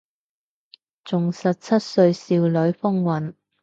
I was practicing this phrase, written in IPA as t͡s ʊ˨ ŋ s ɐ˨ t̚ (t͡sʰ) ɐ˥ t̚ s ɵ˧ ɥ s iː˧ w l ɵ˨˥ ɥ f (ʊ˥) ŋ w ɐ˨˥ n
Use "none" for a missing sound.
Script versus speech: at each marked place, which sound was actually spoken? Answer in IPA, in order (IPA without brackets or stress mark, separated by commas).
t͡sʰ, ʊ˥